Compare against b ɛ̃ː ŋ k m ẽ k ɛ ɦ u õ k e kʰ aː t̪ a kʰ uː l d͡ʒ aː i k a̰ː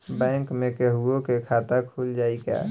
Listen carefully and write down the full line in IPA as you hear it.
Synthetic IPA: b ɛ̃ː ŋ k m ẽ k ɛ ɦ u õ k e kʰ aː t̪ a kʰ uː l d͡ʒ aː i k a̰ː